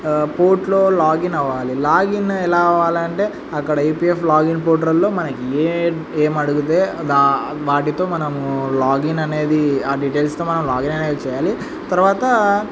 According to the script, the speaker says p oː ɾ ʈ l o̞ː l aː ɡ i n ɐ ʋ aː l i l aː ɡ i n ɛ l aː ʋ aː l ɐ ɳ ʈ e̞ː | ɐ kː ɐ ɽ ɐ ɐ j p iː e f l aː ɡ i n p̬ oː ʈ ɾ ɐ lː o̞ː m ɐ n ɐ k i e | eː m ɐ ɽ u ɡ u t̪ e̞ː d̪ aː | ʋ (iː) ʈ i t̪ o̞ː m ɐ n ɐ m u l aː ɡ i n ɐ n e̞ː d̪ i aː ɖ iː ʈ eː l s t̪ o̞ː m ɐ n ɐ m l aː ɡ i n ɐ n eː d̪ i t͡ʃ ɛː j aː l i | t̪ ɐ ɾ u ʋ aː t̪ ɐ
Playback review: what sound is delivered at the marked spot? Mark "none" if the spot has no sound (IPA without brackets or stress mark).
aː